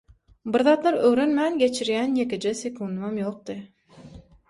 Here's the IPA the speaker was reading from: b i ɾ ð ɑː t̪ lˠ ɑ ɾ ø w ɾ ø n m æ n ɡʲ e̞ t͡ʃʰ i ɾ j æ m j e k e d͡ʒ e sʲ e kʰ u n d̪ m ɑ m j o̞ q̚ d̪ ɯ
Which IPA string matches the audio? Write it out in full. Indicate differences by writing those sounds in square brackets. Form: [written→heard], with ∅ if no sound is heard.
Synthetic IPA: b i ɾ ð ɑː t̪ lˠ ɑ ɾ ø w ɾ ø n m æ n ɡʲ e̞ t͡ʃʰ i ɾ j æ [m→n] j e k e d͡ʒ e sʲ e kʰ u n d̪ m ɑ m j o̞ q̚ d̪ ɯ